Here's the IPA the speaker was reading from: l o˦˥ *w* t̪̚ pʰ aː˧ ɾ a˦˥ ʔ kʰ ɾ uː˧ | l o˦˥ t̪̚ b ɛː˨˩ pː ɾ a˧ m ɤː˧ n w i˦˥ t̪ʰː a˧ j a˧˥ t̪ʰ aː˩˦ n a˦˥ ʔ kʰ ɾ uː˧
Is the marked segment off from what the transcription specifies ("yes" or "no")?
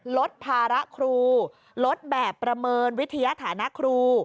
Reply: yes